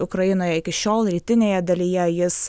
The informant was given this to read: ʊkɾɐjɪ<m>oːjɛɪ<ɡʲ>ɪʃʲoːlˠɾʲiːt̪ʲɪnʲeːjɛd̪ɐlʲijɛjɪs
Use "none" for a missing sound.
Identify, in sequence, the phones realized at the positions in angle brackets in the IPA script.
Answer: n, kʲ

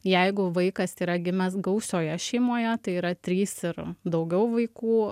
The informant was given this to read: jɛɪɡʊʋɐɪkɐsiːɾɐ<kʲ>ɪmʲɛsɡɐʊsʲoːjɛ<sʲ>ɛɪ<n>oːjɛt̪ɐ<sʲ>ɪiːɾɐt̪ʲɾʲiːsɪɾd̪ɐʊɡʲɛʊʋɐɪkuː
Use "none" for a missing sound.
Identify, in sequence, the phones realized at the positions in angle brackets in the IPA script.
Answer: ɡʲ, ʃʲ, m, none

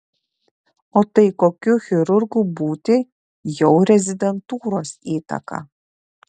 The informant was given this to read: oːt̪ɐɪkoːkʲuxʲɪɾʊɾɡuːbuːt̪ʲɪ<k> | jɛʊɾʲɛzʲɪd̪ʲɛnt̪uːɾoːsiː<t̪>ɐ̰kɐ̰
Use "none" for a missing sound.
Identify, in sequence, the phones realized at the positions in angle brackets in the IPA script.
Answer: none, t̪

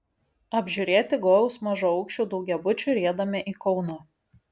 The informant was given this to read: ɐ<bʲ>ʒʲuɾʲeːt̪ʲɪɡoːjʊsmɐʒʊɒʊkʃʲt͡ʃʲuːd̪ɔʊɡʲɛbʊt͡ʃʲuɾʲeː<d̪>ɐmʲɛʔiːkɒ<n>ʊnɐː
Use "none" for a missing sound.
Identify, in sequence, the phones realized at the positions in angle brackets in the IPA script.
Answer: bʲ, d̪, none

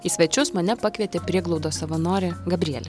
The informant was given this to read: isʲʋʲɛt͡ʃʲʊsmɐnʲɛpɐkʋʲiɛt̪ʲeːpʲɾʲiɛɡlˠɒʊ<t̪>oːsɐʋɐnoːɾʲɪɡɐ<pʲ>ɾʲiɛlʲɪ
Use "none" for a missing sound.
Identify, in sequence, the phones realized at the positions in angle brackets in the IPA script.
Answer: d̪, bʲ

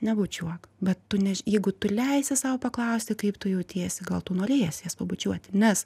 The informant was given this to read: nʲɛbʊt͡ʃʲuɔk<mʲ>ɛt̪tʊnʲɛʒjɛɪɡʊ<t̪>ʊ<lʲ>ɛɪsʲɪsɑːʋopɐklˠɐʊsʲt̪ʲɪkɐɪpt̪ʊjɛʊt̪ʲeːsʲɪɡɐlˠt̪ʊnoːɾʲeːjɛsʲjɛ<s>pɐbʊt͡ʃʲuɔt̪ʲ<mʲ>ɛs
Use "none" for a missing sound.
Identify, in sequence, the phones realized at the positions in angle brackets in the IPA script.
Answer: bʲ, t̪, lʲ, s, nʲ

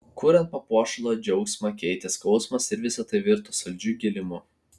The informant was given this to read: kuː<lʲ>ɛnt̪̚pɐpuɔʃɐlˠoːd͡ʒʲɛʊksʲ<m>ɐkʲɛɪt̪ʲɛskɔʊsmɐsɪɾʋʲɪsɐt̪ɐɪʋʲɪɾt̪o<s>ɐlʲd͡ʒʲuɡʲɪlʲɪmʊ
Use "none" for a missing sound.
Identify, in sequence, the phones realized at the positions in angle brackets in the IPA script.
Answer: ɾʲ, m, s

